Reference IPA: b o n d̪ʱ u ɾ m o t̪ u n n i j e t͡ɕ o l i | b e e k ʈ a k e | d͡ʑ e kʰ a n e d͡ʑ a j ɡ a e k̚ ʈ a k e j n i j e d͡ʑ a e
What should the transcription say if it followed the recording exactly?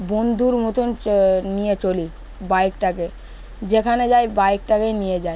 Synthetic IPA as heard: b o n d̪ʱ u ɾ m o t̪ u n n i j e t͡ɕ o l i | b a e k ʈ a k e | d͡ʑ e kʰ a n e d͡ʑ a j b a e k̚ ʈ a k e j n i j e d͡ʑ a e